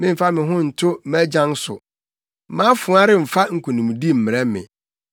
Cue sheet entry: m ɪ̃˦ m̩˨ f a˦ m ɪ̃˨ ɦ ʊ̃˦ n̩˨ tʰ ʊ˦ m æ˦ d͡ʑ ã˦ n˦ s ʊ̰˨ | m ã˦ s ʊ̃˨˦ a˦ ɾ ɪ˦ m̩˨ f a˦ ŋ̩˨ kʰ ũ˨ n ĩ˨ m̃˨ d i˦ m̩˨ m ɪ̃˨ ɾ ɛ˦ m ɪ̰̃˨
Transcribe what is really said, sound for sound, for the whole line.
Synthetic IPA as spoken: m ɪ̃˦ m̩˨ f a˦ m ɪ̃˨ ɦ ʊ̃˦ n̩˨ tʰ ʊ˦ m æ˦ d͡ʑ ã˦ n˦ s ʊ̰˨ | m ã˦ f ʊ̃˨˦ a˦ ɾ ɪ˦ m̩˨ f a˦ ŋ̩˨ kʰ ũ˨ n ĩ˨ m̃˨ d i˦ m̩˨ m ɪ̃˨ ɾ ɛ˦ m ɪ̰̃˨